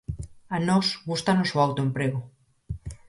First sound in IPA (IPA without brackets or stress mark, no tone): a